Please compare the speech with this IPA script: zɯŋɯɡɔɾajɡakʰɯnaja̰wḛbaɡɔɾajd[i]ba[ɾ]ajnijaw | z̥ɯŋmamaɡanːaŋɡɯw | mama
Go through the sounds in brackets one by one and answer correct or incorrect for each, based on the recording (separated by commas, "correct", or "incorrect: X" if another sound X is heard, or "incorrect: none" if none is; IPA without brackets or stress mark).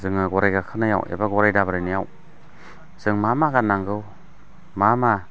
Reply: incorrect: a, correct